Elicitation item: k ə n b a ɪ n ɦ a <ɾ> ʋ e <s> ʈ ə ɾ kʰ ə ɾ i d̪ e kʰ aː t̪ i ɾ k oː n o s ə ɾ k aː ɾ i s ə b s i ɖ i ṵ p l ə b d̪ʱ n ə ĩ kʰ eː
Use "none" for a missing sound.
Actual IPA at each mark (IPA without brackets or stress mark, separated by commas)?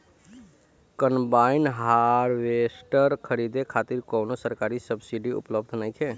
ɾ, s